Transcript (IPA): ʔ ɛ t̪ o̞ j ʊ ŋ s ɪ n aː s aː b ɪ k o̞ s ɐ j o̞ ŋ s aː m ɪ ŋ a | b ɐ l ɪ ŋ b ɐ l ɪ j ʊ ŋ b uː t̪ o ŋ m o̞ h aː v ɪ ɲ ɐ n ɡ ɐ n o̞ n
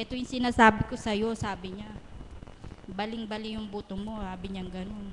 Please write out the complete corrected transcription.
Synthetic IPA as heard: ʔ ɛ t̪ o̞ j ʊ ŋ s ɪ n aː s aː b ɪ k o̞ s ɐ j o̞ s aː b ɪ ɲ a | b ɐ l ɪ ŋ b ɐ l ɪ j ʊ ŋ b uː t̪ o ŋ m o̞ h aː b ɪ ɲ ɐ ŋ ɡ ɐ n o̞ n